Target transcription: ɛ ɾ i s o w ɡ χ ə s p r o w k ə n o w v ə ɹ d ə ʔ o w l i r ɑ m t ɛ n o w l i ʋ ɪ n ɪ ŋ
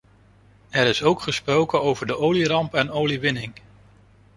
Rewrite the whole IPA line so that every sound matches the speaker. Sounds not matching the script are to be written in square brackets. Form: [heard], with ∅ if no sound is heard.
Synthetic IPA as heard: ɛ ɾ [ɪ] s o w [k] χ ə s p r o w k ə n o w v ə ɹ d ə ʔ o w l i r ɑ m [p] ɛ n o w l i ʋ ɪ n ɪ ŋ